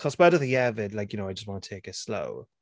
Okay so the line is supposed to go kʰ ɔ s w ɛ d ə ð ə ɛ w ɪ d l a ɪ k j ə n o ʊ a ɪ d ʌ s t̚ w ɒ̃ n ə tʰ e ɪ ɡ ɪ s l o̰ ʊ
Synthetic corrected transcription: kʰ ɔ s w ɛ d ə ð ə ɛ v ɪ d l a ɪ k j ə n o ʊ a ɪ d͡ʒ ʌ s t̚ w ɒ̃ n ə tʰ e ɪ k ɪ s l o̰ ʊ